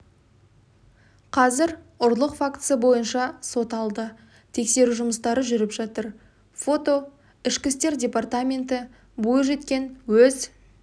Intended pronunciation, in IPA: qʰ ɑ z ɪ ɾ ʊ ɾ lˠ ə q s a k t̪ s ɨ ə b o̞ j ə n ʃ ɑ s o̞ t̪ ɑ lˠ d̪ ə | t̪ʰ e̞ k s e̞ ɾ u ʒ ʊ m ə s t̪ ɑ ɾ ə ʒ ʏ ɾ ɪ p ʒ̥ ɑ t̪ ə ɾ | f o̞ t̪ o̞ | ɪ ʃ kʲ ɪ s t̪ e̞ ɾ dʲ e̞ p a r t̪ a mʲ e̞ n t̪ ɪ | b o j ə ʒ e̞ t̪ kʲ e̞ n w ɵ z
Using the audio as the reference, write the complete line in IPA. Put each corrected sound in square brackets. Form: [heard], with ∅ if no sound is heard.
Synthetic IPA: qʰ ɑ z ɪ ɾ ʊ ɾ lˠ ə q [f] a k t̪ s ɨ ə b o̞ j ə n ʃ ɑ s o̞ t̪ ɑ lˠ d̪ ə | t̪ʰ e̞ k s e̞ ɾ u ʒ ʊ m ə s t̪ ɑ ɾ ə ʒ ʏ ɾ ɪ p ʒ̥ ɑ t̪ ə ɾ | f o̞ t̪ o̞ | ɪ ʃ kʲ ɪ s t̪ e̞ ɾ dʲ e̞ p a r t̪ a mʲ e̞ n t̪ ɪ | b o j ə ʒ e̞ t̪ kʲ e̞ n w ɵ z

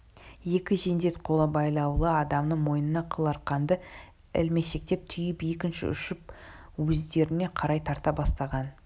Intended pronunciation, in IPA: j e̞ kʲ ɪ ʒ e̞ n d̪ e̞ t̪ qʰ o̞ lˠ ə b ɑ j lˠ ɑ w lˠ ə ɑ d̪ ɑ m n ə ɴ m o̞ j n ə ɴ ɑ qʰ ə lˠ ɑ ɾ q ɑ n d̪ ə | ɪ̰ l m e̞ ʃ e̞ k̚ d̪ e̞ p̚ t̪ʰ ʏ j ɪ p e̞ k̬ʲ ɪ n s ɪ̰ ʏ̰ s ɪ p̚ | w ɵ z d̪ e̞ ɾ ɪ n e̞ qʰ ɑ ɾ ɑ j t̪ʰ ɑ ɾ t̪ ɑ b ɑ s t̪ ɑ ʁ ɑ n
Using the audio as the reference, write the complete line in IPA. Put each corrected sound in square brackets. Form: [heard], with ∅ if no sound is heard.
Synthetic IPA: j e̞ kʲ ɪ ʒ e̞ n d̪ e̞ t̪ qʰ o̞ lˠ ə b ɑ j lˠ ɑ w lˠ ə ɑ d̪ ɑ m n ə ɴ m o̞ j n ə [n] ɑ qʰ ə lˠ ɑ ɾ q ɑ n d̪ ə | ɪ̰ l m e̞ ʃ e̞ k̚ [t̪] e̞ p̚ t̪ʰ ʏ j ɪ p e̞ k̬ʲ ɪ n [ʃ] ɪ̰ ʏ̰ [ʃ] ɪ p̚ | w ɵ z d̪ e̞ ɾ ɪ n e̞ qʰ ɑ ɾ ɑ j t̪ʰ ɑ ɾ t̪ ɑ b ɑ s t̪ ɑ ʁ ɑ n

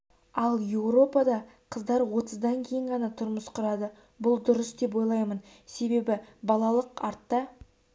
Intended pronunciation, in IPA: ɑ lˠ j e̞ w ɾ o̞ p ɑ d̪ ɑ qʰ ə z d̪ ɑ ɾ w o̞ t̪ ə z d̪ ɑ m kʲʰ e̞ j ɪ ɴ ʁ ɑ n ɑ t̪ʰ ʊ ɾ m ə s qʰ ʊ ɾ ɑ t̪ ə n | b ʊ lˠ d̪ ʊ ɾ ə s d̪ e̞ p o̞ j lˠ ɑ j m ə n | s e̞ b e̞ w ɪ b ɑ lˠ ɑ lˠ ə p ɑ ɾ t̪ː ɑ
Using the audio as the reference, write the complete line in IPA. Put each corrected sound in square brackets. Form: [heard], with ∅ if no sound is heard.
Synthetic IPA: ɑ lˠ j e̞ w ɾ o̞ p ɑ d̪ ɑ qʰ ə z d̪ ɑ ɾ w o̞ t̪ ə z d̪ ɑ [ŋ] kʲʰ e̞ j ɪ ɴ ʁ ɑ n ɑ t̪ʰ ʊ ɾ m ə s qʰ ʊ ɾ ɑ [d̪] ə [∅] | b ʊ lˠ d̪ ʊ ɾ ə s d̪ e̞ p o̞ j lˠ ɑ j m ə n | s e̞ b e̞ [b] ɪ b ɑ lˠ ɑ lˠ ə [q] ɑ ɾ t̪ː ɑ

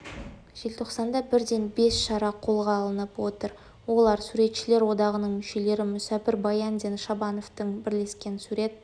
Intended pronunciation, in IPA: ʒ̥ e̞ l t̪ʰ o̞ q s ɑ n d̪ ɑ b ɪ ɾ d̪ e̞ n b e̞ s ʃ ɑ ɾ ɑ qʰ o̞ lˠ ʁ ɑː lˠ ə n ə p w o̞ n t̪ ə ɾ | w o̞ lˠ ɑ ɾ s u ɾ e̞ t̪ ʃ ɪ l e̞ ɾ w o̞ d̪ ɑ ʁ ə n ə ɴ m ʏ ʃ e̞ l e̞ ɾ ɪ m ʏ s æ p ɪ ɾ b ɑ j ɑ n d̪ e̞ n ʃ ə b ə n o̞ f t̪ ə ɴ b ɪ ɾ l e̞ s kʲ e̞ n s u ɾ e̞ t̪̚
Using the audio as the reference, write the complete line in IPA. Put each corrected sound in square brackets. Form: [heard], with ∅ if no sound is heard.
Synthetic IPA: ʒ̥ e̞ l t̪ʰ o̞ q s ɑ n d̪ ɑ b ɪ ɾ d̪ e̞ n b e̞ s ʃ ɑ ɾ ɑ qʰ o̞ lˠ ʁ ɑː lˠ ə n ə p w o̞ [∅] t̪ ə ɾ | w o̞ lˠ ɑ ɾ s u ɾ e̞ t̪ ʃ ɪ l e̞ ɾ w o̞ d̪ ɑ ʁ ə n ə ɴ m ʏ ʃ e̞ l e̞ ɾ ɪ m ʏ s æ p ɪ ɾ b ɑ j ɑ n d̪ e̞ n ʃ [ɑ] b [ɑ] n o̞ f t̪ ə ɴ b ɪ ɾ l e̞ s kʲ e̞ n s u ɾ e̞ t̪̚

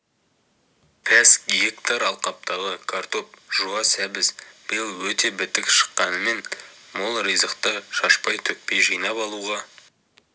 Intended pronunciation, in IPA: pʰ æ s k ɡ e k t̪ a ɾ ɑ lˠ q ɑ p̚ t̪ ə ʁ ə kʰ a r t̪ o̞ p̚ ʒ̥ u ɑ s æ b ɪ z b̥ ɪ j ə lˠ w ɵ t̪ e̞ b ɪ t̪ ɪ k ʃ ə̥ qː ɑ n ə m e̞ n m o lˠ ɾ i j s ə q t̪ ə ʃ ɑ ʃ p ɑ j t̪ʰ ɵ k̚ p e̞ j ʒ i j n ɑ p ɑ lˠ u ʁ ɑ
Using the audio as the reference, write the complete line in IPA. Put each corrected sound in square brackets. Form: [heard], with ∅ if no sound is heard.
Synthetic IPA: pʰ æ s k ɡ e k t̪ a ɾ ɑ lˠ q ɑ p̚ t̪ [ɑ] ʁ ə kʰ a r t̪ o̞ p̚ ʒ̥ u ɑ s æ b ɪ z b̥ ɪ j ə lˠ w ɵ t̪ e̞ b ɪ t̪ ɪ k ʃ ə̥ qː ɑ n ə m e̞ n m o lˠ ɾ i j [z] ə q t̪ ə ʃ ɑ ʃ p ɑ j t̪ʰ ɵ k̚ p e̞ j ʒ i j n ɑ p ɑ lˠ u ʁ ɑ

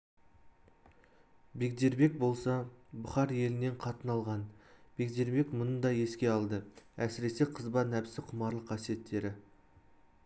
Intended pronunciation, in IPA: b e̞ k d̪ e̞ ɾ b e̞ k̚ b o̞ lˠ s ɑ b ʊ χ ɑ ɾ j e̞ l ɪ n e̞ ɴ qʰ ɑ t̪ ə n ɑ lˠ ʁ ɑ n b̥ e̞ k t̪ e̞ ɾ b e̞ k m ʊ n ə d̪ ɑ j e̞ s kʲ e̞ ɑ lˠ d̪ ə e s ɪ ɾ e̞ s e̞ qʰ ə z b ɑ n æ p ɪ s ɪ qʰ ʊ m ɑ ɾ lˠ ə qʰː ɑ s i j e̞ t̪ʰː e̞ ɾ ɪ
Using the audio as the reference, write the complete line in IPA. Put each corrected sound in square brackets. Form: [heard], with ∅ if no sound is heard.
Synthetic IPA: b e̞ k d̪ e̞ ɾ b e̞ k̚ b o̞ lˠ s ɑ b ʊ χ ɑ ɾ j e̞ l ɪ n e̞ ɴ qʰ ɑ t̪ ə n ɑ lˠ ʁ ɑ n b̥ e̞ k [d̪] e̞ ɾ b e̞ k m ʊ n ə d̪ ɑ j e̞ s kʲ e̞ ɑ lˠ d̪ ə [æ] s ɪ ɾ e̞ s e̞ qʰ ə z b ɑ n æ p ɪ s ɪ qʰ ʊ m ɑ ɾ lˠ ə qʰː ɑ s i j e̞ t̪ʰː e̞ ɾ ɪ

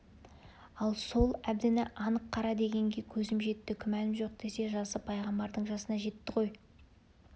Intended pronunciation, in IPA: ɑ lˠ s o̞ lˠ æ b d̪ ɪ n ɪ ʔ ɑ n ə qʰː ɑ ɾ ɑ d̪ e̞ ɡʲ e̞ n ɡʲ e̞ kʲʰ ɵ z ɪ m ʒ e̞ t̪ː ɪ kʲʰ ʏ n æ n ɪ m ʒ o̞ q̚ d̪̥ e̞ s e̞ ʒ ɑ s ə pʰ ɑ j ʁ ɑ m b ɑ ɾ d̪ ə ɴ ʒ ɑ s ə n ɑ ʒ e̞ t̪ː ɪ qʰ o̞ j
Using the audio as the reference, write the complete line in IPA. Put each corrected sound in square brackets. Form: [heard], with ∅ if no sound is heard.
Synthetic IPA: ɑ lˠ s o̞ lˠ æ b d̪ ɪ n ɪ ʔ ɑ n ə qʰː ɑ ɾ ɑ d̪ e̞ ɡʲ e̞ [ŋ] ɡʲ e̞ kʲʰ ɵ z ɪ m ʒ e̞ t̪ː ɪ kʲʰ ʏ [m] æ n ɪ m ʒ o̞ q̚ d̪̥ e̞ s e̞ ʒ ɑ s ə pʰ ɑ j ʁ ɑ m b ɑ ɾ d̪ ə ɴ ʒ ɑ s ə n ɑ ʒ e̞ t̪ː ɪ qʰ o̞ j

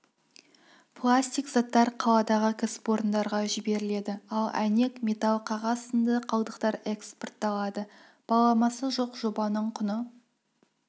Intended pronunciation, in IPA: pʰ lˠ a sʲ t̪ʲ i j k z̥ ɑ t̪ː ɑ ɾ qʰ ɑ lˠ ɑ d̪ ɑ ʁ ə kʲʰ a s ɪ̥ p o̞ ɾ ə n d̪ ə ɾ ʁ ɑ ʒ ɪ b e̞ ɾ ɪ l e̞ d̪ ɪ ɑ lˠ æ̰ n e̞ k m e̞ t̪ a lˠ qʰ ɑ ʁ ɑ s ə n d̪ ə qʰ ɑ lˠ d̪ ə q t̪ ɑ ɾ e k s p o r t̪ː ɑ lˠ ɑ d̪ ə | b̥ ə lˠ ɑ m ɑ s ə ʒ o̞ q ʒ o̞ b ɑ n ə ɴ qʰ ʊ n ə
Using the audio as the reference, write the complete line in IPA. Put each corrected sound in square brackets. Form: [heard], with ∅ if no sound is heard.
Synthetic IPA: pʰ lˠ a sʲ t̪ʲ i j k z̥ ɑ t̪ː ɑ ɾ qʰ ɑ lˠ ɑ d̪ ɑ ʁ ə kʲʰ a s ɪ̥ p o̞ ɾ ə n d̪ [ɑ] ɾ ʁ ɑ ʒ ɪ b e̞ ɾ ɪ l e̞ d̪ ɪ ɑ lˠ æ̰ n e̞ k m e̞ t̪ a lˠ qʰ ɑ ʁ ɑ s ə n d̪ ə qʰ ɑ lˠ d̪ ə q t̪ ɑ ɾ e k s p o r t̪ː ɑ lˠ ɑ d̪ ə | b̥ [ɑ] lˠ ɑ m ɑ s ə ʒ o̞ q ʒ o̞ b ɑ n ə ɴ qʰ ʊ n ə

